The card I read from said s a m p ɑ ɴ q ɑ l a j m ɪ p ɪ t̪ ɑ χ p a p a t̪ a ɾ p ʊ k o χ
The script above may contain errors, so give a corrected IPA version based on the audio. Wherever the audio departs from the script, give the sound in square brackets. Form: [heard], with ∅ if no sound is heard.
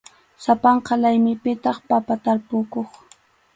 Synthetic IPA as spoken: s a [∅] p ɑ ɴ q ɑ l a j m ɪ p ɪ t̪ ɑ χ p a p a t̪ a ɾ p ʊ k o χ

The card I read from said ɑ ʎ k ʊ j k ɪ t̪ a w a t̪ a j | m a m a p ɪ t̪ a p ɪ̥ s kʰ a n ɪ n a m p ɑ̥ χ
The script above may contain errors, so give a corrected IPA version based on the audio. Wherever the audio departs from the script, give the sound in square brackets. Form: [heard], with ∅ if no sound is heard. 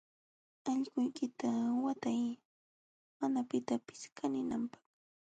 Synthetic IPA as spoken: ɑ ʎ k ʊ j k ɪ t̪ a w a t̪ a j | m a [n] a p ɪ t̪ a p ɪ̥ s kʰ a n ɪ n a m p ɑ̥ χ

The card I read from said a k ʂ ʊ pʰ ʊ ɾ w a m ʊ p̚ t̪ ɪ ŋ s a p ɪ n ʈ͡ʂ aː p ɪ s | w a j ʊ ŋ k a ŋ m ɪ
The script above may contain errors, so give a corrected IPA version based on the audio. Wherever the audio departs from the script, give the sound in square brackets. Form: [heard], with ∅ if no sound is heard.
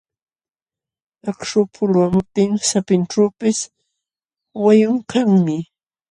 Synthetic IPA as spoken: a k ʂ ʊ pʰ ʊ [l] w a m ʊ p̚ t̪ ɪ ŋ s a p ɪ n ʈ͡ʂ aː p ɪ s | w a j ʊ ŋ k a ŋ m ɪ

